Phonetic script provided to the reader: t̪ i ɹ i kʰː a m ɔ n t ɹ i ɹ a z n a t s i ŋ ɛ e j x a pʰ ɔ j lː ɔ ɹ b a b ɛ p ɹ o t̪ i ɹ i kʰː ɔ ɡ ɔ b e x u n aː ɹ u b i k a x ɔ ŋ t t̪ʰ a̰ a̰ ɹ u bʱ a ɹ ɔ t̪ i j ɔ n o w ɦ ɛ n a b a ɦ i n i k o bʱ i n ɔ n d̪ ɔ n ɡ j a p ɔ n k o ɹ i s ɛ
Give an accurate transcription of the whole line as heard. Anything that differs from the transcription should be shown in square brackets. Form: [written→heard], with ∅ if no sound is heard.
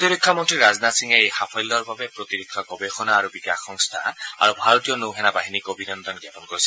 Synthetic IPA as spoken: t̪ i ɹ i kʰː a m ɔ n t ɹ i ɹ a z n a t s i ŋ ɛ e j x a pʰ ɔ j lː ɔ ɹ b a b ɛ p ɹ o t̪ i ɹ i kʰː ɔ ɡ ɔ b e x [u→ɔ] n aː ɹ u b i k a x ɔ ŋ [t→s] t̪ʰ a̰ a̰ ɹ u bʱ a ɹ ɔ t̪ i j ɔ n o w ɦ ɛ n a b a ɦ i n i k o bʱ i n ɔ n d̪ ɔ n ɡ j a p ɔ n k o ɹ i s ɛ